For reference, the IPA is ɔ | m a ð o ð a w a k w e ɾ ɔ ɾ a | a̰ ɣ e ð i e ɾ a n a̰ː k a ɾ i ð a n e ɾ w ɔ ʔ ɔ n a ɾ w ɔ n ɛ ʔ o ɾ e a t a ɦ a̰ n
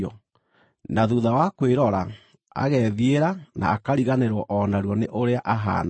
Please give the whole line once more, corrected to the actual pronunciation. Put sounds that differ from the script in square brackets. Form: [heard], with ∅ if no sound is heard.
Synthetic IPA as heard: ɔ | [n] a ð [u] ð a w a k w e ɾ ɔ ɾ a | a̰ ɣ [ɛ] ð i e ɾ a n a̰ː k a ɾ i [ɣ] a n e ɾ w ɔ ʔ ɔ n a ɾ w ɔ n [e] ʔ o ɾ e a [ʔ] a ɦ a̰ n